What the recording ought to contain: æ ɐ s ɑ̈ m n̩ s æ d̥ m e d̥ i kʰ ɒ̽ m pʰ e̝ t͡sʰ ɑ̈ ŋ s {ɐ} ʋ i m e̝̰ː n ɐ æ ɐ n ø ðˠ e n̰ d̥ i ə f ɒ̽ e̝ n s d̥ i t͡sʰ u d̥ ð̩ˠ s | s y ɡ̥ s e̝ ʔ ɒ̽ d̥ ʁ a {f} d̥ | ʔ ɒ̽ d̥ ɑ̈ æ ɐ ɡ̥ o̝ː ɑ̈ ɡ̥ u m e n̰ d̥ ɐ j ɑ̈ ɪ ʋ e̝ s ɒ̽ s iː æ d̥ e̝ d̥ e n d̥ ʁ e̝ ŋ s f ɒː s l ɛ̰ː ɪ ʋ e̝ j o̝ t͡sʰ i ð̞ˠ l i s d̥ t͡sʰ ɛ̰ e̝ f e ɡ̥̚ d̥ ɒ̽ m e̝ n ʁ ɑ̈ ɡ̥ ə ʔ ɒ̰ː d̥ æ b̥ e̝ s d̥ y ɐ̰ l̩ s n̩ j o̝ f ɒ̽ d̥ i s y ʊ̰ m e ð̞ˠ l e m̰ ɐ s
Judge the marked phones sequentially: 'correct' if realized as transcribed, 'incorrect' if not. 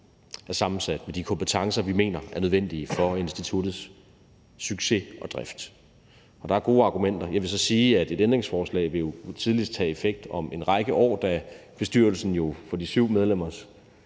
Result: correct, correct

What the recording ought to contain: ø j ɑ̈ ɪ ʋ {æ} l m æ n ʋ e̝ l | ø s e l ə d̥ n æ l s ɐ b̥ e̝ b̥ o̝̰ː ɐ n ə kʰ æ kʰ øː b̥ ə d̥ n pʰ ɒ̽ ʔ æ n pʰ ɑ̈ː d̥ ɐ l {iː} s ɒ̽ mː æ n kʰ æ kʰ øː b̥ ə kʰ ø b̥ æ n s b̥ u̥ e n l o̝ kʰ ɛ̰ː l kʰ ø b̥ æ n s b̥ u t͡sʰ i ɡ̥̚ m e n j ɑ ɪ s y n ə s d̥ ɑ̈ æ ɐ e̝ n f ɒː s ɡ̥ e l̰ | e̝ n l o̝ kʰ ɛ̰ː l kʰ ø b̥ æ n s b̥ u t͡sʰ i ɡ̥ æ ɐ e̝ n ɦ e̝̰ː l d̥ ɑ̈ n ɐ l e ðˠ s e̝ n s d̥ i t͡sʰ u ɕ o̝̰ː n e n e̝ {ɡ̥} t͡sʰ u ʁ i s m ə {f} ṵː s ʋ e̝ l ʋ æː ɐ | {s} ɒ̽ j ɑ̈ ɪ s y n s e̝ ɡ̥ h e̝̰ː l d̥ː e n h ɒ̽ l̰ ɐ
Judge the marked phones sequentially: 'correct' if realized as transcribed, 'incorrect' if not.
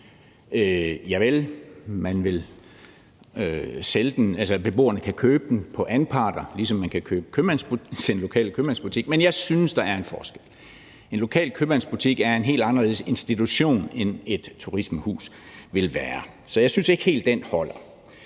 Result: incorrect, incorrect, incorrect, incorrect, correct

